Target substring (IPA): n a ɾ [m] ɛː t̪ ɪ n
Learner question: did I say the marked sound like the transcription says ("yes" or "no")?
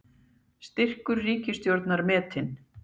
yes